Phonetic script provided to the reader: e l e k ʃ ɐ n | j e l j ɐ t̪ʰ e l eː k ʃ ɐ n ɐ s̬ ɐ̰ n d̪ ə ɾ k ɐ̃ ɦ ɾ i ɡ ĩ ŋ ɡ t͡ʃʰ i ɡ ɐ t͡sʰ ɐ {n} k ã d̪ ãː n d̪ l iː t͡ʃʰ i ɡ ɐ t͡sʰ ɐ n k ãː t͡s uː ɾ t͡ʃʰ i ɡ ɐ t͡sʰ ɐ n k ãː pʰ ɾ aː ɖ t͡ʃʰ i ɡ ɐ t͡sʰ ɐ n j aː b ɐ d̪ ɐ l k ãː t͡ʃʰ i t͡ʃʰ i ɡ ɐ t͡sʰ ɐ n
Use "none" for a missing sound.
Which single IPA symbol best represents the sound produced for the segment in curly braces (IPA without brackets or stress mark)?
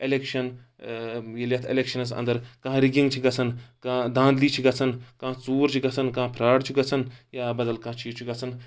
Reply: n